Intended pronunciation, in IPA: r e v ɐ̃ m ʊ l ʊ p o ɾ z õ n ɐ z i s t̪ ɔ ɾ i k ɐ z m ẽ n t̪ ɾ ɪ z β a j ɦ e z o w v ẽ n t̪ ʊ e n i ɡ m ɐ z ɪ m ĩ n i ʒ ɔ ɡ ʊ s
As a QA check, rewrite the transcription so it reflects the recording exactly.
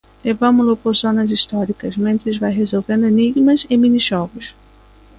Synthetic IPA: l e v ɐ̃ m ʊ l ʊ p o ɾ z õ n ɐ z i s t̪ ɔ ɾ i k ɐ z m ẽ n t̪ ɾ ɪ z v a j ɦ e z o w v ẽ n d̪ ʊ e n i ɡ m ɐ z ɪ m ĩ n i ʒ ɔ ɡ ʊ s

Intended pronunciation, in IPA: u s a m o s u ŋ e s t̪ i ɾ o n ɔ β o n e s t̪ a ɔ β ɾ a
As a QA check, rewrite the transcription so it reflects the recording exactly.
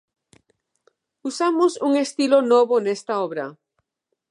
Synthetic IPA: u s a m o s u ŋ e s t̪ i l o n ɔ β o n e s t̪ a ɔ β ɾ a

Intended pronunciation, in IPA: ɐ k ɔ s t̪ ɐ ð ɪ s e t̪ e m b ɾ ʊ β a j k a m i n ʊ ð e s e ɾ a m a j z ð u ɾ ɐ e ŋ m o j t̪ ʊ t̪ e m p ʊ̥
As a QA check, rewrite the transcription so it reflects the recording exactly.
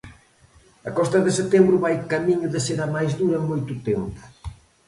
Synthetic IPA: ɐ k ɔ s t̪ ɐ ð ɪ s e t̪ e m b ɾ ʊ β a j k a m i ɲ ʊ ð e s e ɾ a m a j z ð u ɾ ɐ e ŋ m o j t̪ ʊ t̪ e m p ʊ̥

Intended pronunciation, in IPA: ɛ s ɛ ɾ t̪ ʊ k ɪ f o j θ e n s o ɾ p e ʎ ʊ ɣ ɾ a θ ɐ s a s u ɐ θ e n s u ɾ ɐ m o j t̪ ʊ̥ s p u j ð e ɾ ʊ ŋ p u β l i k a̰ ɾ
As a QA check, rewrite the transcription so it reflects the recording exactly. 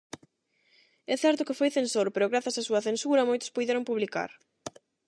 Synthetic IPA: ɛ θ ɛ ɾ t̪ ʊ k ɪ f o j θ e n s o ɾ p e ɾ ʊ ɣ ɾ a θ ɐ s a s u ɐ θ e n s u ɾ ɐ m o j t̪ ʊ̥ s p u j ð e ɾ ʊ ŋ p u β l i k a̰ ɾ

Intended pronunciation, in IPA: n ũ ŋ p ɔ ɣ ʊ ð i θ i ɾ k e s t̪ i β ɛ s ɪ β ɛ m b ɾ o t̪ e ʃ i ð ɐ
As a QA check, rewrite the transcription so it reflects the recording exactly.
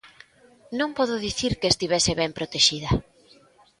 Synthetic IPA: n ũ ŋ p ɔ ð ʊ ð i θ i ɾ k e s t̪ i β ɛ s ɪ β ɛ m p ɾ o t̪ e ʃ i ð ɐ

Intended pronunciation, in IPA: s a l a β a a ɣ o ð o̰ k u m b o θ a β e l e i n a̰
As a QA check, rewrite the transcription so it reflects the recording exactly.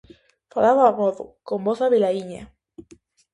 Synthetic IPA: f a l a β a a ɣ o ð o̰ k o m b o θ a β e l a i ɲ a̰

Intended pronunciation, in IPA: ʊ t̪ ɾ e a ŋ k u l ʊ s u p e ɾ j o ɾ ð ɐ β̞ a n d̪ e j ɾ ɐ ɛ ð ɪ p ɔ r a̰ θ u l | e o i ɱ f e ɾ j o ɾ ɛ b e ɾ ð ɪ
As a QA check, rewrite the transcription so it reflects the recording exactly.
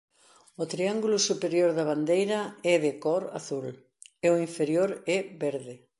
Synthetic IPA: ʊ t̪ ɾ i a ŋ ɡ u l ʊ s u p e ɾ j o ɾ ð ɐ β̞ a n d̪ e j ɾ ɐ ɛ ð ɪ k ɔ ɾ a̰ θ u l | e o i ɱ f e ɾ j o ɾ ɛ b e ɾ ð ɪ

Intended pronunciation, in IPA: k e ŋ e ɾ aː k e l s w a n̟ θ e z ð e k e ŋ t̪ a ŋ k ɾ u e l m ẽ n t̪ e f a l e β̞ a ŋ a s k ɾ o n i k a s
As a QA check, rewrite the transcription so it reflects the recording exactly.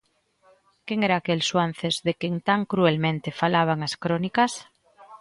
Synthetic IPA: k e ŋ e ɾ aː k e l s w a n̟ θ e z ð e k e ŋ t̪ a ŋ k ɾ u e l m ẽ n t̪ e f a l a β̞ a ŋ a s k ɾ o n i k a s

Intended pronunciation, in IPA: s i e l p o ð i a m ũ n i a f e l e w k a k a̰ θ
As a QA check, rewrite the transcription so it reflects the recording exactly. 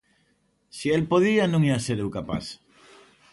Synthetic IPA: s i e l p o ð i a n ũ ŋ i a s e ɾ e w k a p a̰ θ

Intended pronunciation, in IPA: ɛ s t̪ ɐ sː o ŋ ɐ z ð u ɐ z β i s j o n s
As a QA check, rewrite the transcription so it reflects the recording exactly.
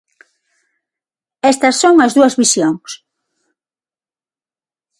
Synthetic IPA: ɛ s t̪ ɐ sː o ŋ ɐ z ð u ɐ z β i s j o ŋ s

